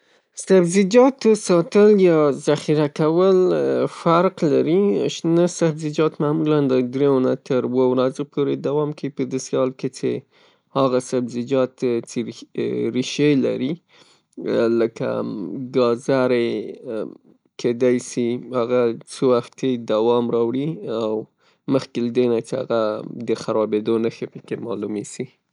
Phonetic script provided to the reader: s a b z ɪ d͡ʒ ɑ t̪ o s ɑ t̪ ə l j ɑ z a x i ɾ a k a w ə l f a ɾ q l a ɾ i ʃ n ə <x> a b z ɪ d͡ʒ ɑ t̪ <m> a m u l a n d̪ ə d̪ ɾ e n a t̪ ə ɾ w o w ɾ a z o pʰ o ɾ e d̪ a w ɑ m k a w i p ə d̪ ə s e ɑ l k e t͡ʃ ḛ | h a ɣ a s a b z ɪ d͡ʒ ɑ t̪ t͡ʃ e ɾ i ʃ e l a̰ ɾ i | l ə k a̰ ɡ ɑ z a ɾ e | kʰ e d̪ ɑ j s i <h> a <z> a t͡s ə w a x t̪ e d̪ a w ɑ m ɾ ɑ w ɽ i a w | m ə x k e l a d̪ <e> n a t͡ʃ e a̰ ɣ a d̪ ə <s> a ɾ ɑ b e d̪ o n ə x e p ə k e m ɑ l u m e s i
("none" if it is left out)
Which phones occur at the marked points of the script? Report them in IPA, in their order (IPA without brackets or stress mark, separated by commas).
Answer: s, m, h, ɣ, e, x